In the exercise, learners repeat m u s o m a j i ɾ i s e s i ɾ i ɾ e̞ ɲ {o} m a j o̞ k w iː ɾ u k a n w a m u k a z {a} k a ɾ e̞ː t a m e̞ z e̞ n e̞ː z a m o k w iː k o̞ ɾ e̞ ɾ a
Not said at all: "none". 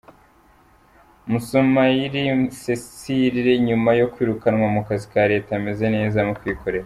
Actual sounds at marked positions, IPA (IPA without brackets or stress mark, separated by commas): u, i